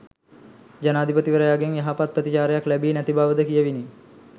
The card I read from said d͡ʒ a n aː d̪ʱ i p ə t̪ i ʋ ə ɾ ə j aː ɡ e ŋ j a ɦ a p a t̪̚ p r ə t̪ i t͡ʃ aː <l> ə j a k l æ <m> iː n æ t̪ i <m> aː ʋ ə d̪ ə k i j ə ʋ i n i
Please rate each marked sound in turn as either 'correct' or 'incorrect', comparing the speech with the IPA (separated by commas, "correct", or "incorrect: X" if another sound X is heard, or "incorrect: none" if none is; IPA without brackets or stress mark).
incorrect: ɾ, incorrect: b, incorrect: b